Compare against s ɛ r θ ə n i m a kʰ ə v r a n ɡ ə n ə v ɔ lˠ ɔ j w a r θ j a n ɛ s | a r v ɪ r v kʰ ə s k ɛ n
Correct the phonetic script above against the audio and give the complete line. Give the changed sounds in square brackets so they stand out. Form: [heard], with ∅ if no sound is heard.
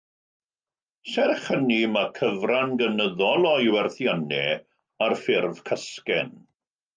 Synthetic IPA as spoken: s ɛ r [χ] ə n i m a kʰ ə v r a n ɡ ə n ə [ð] ɔ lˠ ɔ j w [ɛ] r θ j a n ɛ [∅] | a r [f] ɪ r v kʰ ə s k ɛ n

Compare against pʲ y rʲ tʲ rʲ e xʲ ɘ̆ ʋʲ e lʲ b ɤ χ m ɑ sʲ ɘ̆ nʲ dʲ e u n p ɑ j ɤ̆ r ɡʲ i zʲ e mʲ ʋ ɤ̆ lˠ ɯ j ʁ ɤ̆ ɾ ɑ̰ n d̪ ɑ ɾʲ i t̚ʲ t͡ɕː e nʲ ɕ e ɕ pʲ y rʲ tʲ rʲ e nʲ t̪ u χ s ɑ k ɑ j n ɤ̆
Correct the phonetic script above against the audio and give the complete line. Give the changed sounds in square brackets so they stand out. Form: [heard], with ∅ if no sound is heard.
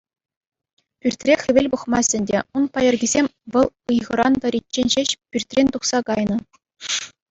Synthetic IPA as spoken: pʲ y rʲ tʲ rʲ e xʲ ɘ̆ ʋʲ e lʲ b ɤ χ m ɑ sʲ ɘ̆ nʲ dʲ e u n p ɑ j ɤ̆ r ɡʲ i zʲ e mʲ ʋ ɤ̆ lˠ ɯ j ʁ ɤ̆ ɾ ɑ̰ n d̪ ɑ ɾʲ i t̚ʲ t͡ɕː e nʲ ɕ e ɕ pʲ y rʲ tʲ rʲ e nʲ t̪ u χ s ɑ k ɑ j n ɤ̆

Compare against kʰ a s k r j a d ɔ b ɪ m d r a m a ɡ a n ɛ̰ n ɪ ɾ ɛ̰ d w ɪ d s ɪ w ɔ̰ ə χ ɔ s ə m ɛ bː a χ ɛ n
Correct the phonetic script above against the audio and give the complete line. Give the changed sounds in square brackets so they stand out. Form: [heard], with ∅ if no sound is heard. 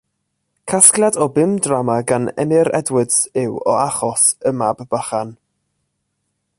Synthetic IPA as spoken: kʰ a s k [l] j a d ɔ b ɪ m d r a m a ɡ a n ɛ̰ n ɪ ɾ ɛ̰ d w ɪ d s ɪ w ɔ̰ [a] χ ɔ s ə m [a] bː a χ [a] n

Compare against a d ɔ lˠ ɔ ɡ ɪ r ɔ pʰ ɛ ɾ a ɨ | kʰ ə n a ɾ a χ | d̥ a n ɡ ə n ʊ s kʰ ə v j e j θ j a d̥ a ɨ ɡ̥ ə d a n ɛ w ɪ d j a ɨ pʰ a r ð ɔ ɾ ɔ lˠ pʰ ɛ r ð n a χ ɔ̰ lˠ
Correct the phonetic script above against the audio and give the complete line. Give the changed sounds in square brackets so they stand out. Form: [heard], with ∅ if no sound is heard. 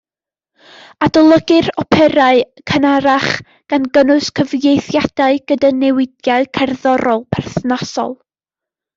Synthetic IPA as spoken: a d ɔ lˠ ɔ ɡ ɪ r ɔ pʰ ɛ ɾ a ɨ | kʰ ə n a ɾ a χ | [ɡ̥] a n ɡ ə n ʊ s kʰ ə v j e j θ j a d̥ a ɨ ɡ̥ ə d a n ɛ w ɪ d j a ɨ [kʰ] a r ð ɔ ɾ ɔ lˠ pʰ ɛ r [θ] n a [s] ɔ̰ lˠ

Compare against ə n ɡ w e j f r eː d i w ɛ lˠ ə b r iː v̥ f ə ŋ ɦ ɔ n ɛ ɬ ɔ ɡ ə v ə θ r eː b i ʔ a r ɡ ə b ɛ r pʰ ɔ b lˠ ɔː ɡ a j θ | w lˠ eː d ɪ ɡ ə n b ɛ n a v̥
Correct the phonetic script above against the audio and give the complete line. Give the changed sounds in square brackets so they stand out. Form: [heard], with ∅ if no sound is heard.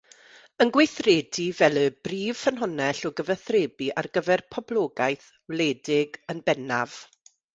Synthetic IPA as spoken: ə n ɡ w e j [θ] r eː d i [v] ɛ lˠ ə b r iː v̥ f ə [n] ɦ ɔ n ɛ ɬ ɔ ɡ ə v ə θ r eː b i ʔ a r ɡ ə [v] ɛ r pʰ ɔ b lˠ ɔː ɡ a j θ | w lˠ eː d ɪ ɡ ə n b ɛ n a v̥

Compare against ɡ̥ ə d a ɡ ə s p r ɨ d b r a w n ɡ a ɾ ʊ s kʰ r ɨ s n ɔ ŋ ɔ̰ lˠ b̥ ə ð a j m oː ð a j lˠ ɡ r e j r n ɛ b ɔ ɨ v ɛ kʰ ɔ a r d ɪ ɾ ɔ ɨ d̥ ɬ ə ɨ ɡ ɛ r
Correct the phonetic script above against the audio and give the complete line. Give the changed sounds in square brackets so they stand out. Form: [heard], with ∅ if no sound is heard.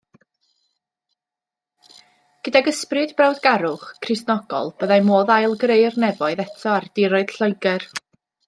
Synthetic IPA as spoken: ɡ̥ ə d a ɡ ə s p r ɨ d b r a w [d] ɡ a ɾ ʊ [χ] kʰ r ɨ s n ɔ [ɡ] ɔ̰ lˠ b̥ ə ð a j m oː ð a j lˠ ɡ r e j r n ɛ [v] ɔ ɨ [ð] ɛ [tʰ] ɔ a r d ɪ ɾ ɔ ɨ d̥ ɬ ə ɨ ɡ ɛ r

